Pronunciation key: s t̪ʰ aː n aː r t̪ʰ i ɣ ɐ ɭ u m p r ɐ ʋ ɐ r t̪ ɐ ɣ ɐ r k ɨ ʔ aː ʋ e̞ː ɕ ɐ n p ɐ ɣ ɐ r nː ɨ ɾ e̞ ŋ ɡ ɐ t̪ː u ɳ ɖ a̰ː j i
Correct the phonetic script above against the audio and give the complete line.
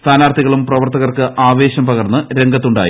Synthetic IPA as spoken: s t̪ʰ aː n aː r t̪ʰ i ɣ ɐ ɭ u m p r ɐ ʋ ɐ r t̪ ɐ ɣ ɐ r k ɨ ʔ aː ʋ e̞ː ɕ ɐ m p ɐ ɣ ɐ r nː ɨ ɾ e̞ ŋ ɡ ɐ t̪ː u ɳ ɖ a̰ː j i